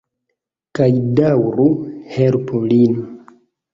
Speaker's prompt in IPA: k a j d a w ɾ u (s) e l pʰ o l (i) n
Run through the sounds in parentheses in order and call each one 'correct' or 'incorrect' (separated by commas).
incorrect, correct